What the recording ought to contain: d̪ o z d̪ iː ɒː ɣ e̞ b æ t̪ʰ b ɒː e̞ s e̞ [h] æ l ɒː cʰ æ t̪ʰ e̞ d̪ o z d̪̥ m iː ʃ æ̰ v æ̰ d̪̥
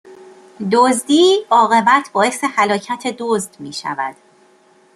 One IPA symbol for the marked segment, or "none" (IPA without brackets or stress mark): h